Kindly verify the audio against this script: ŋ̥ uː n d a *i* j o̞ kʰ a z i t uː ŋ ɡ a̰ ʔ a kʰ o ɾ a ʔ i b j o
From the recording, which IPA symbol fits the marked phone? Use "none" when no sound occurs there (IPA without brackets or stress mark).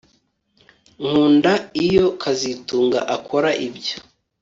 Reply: i